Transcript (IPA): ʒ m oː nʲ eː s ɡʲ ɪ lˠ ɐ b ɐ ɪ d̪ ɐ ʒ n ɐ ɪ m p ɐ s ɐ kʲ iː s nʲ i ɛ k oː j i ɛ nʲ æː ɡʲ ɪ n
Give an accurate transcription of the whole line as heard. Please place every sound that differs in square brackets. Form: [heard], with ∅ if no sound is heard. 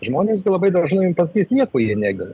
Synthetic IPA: ʒ m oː nʲ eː s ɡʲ ɪ lˠ ɐ b ɐ ɪ d̪ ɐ ʒ n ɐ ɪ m p ɐ s ɐ kʲ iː s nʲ i ɛ k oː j i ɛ nʲ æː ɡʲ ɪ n